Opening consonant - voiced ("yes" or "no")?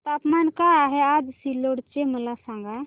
no